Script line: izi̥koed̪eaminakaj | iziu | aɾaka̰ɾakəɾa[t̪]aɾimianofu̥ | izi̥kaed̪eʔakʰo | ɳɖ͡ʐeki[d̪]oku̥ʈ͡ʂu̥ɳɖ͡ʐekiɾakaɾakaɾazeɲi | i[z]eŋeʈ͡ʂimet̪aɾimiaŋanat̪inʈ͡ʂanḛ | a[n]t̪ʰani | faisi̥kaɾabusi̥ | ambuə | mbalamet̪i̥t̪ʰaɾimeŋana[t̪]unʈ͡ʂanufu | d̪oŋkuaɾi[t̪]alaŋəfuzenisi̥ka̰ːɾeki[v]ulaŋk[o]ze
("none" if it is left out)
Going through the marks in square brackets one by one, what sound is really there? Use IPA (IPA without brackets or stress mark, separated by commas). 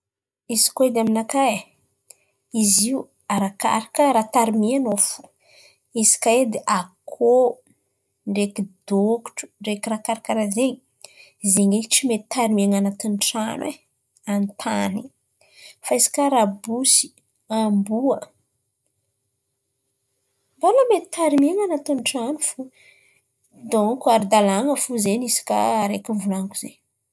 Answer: t̪, d̪, z, n, t̪, d̪, v, u